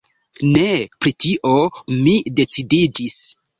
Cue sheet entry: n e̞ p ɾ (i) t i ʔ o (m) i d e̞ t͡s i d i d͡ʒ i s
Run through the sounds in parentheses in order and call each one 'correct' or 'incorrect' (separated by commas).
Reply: correct, correct